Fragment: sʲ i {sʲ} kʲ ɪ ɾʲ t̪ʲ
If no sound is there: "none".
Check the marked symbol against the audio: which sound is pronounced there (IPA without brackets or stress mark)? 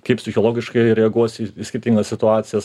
sʲ